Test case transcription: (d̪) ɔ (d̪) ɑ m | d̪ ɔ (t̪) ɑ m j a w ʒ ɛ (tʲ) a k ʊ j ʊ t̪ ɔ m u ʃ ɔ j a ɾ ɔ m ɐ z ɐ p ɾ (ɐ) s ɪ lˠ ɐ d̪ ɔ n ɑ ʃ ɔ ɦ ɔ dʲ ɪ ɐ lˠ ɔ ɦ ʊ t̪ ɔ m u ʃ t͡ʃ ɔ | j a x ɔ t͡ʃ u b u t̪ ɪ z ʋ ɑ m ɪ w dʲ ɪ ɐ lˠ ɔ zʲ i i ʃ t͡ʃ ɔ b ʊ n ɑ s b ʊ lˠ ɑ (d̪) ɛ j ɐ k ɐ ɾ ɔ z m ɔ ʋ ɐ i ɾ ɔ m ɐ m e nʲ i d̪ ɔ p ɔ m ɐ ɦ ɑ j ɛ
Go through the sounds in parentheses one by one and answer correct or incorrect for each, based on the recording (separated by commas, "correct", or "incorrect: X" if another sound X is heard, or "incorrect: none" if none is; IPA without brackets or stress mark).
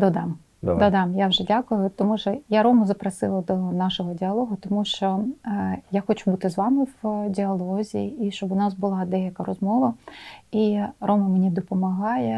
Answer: correct, correct, incorrect: d̪, incorrect: dʲ, correct, correct